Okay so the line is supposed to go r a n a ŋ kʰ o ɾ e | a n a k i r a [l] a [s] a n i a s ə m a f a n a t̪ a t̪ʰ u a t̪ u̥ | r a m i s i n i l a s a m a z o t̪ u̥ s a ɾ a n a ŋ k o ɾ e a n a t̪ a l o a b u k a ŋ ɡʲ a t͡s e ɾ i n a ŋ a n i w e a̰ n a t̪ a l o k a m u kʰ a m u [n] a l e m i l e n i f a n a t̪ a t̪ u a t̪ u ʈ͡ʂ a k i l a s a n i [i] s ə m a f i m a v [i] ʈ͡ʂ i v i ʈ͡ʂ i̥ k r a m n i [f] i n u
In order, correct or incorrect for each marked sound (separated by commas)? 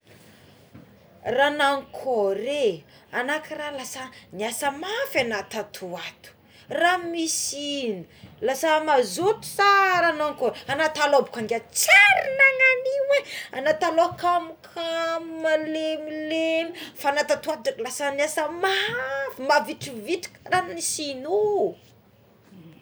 correct, correct, incorrect, incorrect, correct, incorrect